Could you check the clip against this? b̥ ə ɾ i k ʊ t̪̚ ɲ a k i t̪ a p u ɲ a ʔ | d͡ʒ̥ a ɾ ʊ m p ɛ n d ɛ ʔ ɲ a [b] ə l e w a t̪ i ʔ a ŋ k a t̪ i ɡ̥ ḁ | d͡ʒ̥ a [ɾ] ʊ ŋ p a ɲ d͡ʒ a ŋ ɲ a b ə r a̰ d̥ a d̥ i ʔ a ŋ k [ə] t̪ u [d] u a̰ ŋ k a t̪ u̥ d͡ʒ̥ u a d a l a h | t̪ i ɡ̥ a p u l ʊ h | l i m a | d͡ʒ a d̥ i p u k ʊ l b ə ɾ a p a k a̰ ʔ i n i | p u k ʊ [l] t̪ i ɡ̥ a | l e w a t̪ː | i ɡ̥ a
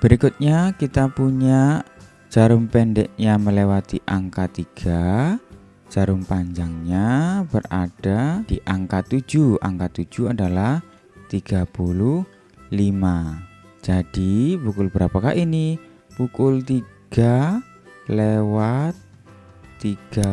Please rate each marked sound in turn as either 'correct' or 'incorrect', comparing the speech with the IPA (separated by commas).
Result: incorrect, correct, incorrect, incorrect, correct